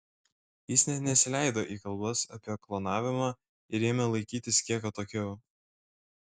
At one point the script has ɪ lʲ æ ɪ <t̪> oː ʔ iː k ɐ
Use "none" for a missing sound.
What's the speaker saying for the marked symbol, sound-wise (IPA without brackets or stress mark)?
d̪